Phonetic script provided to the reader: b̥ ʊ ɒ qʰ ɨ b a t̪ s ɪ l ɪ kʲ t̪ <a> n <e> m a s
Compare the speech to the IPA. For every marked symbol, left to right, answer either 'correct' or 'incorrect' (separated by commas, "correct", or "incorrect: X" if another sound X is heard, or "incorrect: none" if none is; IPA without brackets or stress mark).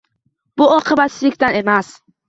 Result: correct, correct